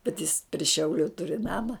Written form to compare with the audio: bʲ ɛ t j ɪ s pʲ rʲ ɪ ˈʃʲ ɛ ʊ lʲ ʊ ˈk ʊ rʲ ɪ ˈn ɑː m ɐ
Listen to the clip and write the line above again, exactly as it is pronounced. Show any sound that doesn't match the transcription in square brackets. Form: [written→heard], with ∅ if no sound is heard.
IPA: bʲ ɛ t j ɪ s pʲ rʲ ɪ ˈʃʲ ɛ ʊ lʲ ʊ [ˈk→ˈt] ʊ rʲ ɪ ˈn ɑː m ɐ